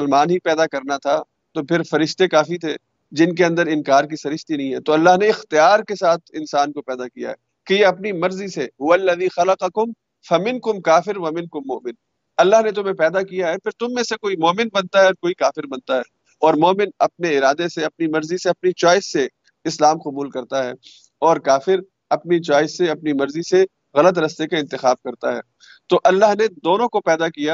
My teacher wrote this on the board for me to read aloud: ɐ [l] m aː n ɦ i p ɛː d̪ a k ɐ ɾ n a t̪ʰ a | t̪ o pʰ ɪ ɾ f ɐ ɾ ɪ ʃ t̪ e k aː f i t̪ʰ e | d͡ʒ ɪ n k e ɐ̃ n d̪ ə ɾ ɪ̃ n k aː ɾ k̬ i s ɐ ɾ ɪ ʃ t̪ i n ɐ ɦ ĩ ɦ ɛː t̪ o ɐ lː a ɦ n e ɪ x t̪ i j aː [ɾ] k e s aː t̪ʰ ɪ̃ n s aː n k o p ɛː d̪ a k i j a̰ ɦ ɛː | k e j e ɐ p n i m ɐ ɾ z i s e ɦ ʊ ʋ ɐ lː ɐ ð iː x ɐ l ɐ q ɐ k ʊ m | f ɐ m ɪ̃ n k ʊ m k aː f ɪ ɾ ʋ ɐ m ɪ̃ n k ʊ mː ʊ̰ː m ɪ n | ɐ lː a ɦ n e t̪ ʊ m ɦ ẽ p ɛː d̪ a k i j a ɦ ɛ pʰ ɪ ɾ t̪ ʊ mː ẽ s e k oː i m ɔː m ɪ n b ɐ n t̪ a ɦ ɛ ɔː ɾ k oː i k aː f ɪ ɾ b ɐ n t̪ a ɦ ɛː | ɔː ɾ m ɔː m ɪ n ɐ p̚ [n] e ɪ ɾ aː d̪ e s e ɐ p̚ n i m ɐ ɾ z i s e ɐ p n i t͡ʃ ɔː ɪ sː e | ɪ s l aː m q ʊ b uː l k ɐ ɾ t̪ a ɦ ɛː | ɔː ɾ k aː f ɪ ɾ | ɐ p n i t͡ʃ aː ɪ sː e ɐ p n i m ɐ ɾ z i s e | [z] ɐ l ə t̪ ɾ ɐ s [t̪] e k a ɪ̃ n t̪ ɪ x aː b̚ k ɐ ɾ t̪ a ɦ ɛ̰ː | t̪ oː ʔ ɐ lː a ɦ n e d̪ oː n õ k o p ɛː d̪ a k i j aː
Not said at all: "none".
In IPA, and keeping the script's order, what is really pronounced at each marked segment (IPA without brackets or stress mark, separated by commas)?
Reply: l, ɾ, n, ɣ, t̪